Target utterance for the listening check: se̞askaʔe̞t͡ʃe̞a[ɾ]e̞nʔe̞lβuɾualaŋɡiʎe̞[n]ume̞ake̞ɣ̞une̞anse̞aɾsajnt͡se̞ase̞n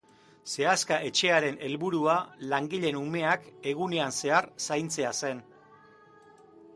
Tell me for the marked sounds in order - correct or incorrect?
correct, correct

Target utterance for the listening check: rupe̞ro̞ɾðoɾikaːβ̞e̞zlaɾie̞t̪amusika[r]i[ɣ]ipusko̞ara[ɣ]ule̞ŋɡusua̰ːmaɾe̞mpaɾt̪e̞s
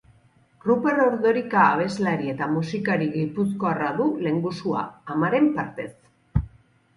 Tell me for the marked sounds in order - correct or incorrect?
incorrect: ɾ, correct, incorrect: ð

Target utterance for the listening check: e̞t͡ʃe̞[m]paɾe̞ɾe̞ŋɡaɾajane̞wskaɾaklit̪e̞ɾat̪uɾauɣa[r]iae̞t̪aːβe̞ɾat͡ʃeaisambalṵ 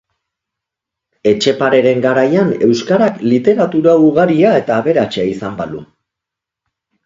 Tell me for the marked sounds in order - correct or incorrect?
incorrect: none, incorrect: ɾ

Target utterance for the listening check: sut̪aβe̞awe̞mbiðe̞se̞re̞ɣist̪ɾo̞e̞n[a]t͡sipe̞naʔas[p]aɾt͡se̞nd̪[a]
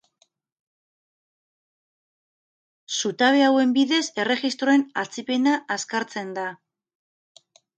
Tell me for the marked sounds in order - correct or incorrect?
correct, incorrect: k, correct

